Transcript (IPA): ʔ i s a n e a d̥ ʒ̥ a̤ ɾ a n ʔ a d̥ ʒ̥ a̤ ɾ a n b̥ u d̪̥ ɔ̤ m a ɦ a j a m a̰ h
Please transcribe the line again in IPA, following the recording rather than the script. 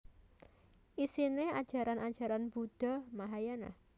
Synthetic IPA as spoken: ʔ i s i n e a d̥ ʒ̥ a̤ ɾ a n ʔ a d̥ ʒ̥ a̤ ɾ a n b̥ u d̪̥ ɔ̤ m a ɦ a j a n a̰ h